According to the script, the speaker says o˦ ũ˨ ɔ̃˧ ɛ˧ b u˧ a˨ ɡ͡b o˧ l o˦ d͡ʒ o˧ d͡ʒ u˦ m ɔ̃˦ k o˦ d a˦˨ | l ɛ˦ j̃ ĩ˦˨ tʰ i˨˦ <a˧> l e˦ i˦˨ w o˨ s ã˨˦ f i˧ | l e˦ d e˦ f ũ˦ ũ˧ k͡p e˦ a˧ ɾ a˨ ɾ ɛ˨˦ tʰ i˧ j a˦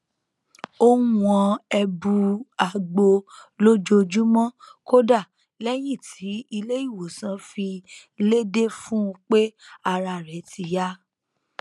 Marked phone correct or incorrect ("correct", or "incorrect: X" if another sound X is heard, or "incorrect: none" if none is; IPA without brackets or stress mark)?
incorrect: i˧